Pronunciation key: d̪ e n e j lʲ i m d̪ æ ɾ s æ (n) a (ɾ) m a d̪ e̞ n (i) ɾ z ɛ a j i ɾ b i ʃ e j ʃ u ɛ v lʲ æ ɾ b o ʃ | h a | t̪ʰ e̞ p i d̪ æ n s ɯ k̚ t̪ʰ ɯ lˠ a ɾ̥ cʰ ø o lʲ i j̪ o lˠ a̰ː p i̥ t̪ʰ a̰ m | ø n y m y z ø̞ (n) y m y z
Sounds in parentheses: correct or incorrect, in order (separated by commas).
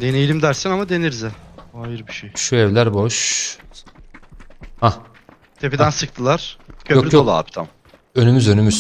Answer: correct, incorrect, correct, correct